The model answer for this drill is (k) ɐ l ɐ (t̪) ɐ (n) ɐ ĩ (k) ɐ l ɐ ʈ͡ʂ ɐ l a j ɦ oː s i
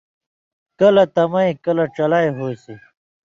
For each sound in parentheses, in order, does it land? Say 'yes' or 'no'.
yes, yes, no, yes

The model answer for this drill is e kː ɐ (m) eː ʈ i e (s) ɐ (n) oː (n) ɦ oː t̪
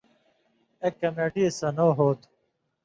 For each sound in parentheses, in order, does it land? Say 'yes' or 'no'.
yes, yes, yes, no

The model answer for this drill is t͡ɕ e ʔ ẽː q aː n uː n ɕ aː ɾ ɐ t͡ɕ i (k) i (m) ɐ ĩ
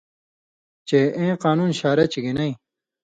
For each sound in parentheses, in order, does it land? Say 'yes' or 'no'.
no, no

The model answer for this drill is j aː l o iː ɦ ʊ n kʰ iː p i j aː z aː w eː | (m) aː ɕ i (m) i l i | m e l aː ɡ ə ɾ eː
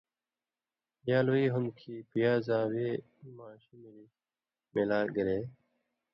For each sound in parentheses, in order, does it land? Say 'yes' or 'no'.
yes, yes

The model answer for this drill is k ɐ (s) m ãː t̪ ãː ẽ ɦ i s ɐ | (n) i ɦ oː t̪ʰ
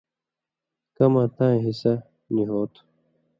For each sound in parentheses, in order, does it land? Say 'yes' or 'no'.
no, yes

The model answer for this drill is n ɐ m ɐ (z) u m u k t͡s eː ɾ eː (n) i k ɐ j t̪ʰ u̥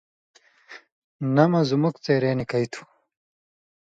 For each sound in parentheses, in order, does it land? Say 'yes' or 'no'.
yes, yes

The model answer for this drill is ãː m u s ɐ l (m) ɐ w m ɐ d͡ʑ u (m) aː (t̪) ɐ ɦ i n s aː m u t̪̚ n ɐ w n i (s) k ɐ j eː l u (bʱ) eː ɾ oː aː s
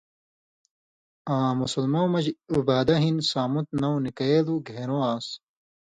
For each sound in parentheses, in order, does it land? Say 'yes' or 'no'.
yes, no, no, no, no

